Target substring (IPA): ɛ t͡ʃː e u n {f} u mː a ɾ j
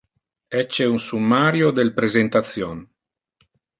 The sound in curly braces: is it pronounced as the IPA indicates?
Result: no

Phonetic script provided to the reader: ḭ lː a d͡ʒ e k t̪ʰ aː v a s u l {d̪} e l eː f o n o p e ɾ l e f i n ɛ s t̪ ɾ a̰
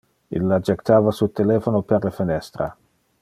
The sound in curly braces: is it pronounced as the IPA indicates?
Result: no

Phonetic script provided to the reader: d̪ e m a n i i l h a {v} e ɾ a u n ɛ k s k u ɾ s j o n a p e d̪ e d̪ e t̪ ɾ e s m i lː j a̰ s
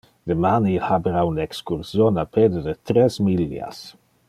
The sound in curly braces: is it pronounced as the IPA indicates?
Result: no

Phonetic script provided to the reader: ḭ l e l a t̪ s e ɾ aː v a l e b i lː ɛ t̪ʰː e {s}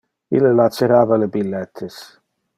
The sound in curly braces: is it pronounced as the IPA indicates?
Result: yes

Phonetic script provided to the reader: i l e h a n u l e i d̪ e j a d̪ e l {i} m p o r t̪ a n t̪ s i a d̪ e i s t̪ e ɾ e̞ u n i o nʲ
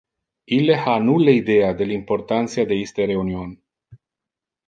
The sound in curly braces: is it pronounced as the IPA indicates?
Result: yes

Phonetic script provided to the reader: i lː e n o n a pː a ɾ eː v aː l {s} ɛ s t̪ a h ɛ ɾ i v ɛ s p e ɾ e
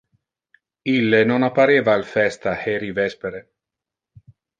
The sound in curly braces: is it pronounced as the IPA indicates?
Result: no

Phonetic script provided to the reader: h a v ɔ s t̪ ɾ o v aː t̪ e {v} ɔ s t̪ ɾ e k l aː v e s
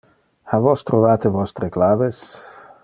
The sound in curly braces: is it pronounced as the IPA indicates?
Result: yes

